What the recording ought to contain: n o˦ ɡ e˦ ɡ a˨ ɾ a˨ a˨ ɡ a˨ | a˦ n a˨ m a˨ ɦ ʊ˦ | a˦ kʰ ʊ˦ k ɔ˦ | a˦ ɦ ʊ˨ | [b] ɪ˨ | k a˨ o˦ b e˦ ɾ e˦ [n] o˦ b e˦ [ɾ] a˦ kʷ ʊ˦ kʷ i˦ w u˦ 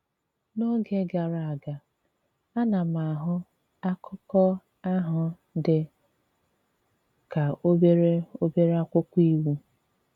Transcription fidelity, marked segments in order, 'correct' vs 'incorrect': incorrect: d, incorrect: none, correct

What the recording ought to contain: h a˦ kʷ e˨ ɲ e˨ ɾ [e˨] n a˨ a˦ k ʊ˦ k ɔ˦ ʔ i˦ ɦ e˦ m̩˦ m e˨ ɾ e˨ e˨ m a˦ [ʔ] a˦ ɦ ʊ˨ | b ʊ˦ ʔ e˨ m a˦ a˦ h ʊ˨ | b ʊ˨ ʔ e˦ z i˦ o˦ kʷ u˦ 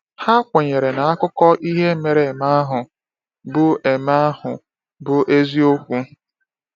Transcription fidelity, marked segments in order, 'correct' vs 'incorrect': correct, incorrect: none

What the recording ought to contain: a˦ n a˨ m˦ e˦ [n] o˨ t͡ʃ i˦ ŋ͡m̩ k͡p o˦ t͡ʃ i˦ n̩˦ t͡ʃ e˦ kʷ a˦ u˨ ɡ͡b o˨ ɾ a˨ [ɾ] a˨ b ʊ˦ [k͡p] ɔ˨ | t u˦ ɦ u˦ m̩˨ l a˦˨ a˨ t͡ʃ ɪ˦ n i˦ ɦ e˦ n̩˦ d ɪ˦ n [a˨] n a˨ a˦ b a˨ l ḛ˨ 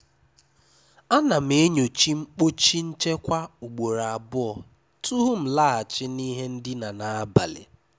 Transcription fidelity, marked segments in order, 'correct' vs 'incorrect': incorrect: ɲ, incorrect: none, incorrect: none, correct

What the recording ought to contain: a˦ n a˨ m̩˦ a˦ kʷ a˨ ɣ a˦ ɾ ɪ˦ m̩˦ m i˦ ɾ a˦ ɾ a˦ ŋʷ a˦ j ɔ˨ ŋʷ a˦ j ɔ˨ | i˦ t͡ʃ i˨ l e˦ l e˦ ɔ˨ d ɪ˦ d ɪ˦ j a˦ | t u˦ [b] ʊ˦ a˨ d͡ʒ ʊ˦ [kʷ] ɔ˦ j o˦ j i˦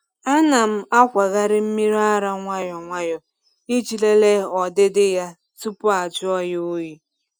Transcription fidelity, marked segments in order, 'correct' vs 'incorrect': incorrect: p, incorrect: none

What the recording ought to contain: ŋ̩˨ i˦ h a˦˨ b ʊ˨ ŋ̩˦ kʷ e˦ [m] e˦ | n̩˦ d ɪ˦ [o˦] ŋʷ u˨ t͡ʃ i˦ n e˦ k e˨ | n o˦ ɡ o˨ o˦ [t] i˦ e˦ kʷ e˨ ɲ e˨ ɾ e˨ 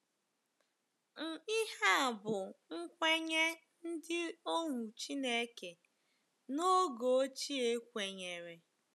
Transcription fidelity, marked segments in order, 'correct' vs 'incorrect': incorrect: ɲ, correct, incorrect: t͡ʃ

